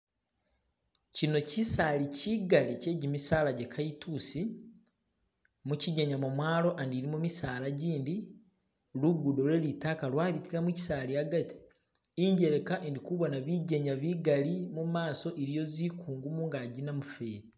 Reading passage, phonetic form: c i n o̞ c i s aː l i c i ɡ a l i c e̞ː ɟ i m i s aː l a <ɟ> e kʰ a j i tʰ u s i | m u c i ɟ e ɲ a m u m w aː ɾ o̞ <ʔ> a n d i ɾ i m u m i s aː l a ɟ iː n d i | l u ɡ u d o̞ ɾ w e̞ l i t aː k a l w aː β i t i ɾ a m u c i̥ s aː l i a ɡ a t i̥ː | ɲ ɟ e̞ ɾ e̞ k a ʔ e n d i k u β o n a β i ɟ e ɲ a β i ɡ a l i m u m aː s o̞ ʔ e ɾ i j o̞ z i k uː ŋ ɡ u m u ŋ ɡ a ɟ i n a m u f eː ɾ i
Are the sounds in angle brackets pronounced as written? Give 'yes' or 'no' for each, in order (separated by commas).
yes, yes